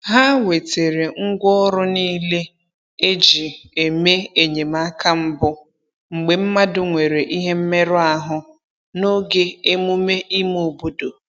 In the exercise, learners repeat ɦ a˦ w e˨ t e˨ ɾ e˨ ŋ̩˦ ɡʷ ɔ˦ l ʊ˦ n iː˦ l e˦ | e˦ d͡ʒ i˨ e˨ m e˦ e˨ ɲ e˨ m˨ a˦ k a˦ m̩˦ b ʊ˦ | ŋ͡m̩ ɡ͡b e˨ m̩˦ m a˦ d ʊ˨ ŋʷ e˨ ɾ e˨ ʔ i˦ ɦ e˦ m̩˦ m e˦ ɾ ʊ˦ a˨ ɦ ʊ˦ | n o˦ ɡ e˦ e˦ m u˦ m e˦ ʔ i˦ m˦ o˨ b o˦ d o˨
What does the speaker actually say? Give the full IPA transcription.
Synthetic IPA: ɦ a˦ w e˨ t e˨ ɾ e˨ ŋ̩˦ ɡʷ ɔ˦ ɾ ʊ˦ n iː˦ l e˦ | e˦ d͡ʒ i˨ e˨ m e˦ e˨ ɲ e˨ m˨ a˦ k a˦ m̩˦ b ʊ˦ | ŋ͡m̩ ɡ͡b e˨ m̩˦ m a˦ d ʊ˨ ŋʷ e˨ ɾ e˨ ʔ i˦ ɦ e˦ m̩˦ m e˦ ɾ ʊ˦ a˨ ɦ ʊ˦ | n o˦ ɡ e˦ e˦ m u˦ m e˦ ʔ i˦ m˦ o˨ b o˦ d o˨